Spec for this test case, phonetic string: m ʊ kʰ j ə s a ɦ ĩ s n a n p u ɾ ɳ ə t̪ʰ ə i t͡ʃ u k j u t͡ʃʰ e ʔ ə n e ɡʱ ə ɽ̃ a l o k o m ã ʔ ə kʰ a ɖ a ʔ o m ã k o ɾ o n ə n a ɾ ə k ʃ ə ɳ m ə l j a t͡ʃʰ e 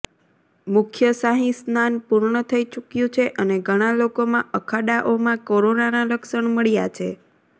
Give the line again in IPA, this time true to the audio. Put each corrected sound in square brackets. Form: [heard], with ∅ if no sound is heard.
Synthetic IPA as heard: m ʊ kʰ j ə s a ɦ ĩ s n a n p u ɾ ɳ ə t̪ʰ ə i t͡ʃ u k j [ũ] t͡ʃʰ e ʔ ə n e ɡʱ ə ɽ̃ a l o k o m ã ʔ ə kʰ a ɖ a ʔ o m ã k o ɾ o n [a] n a [l] ə k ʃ ə ɳ m ə [ɭ] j a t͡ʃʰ e